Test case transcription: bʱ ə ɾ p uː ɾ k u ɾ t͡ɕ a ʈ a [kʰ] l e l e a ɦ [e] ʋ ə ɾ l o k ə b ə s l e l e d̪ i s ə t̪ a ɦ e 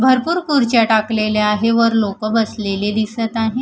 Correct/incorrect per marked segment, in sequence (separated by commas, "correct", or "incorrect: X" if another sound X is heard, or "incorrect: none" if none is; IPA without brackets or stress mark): incorrect: k, correct